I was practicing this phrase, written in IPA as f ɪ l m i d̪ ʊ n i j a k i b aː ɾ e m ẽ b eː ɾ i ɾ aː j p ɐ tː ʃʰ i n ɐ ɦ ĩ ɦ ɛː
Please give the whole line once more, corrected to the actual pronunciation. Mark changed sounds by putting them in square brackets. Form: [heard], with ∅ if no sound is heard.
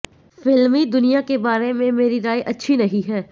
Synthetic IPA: f ɪ l m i d̪ ʊ n i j a k [e] b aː ɾ e m ẽ [m] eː ɾ i ɾ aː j [ʔ] ɐ tː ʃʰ i n ɐ ɦ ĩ ɦ ɛː